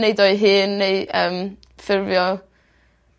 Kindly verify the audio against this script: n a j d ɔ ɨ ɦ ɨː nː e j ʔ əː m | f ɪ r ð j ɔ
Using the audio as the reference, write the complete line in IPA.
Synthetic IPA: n e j d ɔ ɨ ɦ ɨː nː e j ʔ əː m | f ɪ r v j ɔ